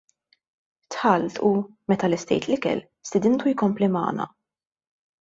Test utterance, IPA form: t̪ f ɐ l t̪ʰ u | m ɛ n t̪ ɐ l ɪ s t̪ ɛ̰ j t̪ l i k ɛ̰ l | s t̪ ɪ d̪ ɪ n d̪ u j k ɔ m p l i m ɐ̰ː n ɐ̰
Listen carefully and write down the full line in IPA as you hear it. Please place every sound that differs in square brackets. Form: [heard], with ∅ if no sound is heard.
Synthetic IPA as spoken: t̪ [ħ] ɐ l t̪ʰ u | m ɛ [∅] t̪ ɐ l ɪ s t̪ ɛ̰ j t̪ l [ɪ] k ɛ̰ l | s t̪ ɪ d̪ ɪ n [t̪] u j k ɔ m p l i m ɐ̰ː n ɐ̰